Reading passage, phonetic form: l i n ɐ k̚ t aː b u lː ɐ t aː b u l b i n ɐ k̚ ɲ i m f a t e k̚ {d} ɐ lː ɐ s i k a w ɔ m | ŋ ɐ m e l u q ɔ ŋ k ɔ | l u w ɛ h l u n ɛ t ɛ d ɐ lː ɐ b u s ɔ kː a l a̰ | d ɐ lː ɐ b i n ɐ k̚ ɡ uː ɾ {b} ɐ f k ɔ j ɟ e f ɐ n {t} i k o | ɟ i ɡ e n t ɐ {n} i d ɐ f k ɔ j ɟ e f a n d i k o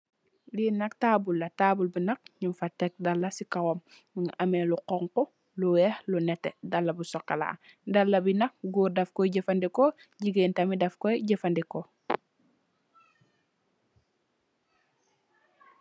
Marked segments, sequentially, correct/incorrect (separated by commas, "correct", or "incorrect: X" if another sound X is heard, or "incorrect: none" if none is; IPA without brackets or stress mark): correct, incorrect: d, incorrect: d, incorrect: m